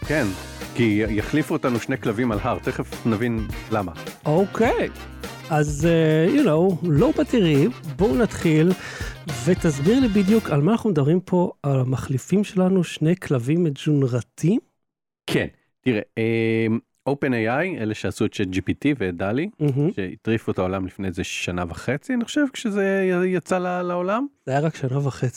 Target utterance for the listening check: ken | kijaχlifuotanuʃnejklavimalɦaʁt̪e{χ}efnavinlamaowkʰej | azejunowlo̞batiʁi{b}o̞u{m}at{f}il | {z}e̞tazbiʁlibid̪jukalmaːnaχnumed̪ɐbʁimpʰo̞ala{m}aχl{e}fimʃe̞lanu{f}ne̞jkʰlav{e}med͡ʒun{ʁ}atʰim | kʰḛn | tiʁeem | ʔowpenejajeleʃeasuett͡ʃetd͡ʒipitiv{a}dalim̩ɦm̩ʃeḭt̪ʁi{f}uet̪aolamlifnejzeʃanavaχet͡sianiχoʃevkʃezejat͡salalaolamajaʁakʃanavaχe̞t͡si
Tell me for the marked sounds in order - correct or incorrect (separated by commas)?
correct, correct, incorrect, incorrect, incorrect, correct, incorrect, incorrect, incorrect, correct, incorrect, correct